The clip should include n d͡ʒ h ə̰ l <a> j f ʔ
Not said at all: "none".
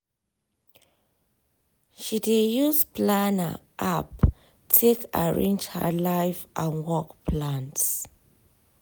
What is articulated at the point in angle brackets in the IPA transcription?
a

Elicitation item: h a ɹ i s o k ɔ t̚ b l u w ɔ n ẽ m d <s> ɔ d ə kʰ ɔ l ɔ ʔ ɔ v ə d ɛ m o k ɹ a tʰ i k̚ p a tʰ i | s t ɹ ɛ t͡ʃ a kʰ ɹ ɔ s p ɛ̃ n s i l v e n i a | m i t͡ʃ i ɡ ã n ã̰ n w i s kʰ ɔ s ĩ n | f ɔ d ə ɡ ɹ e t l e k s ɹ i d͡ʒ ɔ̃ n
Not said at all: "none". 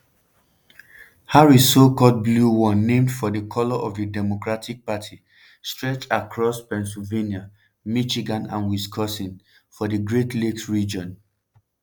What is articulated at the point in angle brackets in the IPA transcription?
f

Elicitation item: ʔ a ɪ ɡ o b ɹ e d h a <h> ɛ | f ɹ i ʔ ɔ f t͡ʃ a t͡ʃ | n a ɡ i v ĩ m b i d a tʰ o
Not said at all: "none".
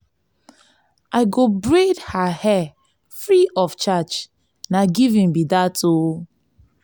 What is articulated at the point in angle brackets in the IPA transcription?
h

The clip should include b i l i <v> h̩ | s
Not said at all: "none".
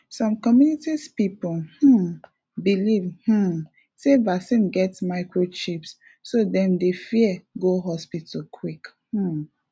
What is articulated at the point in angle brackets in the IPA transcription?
v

